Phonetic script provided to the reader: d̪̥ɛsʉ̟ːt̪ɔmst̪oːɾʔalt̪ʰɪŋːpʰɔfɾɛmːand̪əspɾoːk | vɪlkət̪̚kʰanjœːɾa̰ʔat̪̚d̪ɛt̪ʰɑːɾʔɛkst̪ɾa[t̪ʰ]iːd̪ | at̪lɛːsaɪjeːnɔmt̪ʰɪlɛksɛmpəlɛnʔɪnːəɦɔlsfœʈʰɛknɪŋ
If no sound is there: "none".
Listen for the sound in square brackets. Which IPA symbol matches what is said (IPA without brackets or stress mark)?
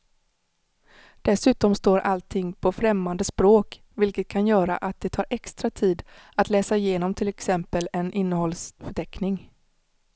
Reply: t̪ʰ